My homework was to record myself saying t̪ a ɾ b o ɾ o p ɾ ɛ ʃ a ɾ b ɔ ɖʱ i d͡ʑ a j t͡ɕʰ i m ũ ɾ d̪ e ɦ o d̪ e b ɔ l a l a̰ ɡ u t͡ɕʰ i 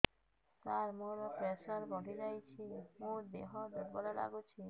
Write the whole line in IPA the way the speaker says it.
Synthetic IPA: t̪ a ɾ m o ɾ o p ɾ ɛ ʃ a ɾ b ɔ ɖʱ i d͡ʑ a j t͡ɕʰ i m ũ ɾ d̪ e ɦ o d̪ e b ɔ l a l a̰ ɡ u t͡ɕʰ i